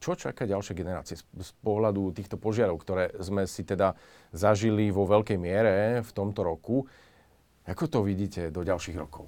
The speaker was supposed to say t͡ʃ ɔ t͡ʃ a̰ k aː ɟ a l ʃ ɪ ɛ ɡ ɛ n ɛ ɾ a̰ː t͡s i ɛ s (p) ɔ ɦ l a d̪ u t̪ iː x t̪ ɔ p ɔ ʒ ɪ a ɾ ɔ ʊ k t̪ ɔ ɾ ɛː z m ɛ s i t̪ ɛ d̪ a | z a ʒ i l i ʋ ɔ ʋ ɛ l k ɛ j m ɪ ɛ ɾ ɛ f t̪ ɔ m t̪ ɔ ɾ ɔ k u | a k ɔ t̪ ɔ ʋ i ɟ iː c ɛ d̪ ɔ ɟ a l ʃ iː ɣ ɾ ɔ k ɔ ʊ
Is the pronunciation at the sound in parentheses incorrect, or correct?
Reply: correct